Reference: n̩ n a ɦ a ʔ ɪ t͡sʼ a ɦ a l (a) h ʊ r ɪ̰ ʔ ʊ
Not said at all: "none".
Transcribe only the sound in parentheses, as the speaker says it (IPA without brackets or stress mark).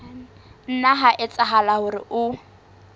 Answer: a